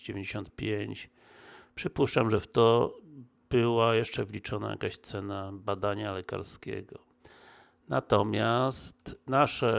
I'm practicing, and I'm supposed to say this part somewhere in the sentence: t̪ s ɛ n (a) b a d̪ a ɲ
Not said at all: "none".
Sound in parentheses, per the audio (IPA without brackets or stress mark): a